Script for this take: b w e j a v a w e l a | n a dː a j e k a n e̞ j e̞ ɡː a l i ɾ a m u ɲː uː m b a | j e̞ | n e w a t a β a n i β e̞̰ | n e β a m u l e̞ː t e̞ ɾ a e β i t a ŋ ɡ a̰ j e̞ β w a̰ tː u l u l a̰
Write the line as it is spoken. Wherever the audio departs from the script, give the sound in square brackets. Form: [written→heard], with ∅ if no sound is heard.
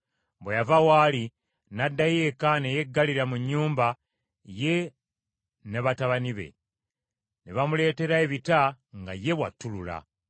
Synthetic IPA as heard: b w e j a v a w [e→a] l [a→i] | n a dː a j e k a n e̞ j e̞ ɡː a l i ɾ a m u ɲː uː m b a | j e̞ | n e [w→β] a t a β a n i β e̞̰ | n e β a m u l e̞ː t e̞ ɾ a e β i t a ŋ ɡ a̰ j e̞ β w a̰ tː u l u l a̰